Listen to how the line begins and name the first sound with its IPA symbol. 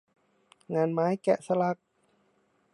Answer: ŋ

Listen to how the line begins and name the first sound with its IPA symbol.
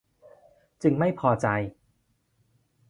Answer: t͡ɕ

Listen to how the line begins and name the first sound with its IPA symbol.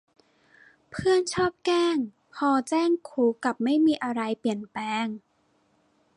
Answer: pʰ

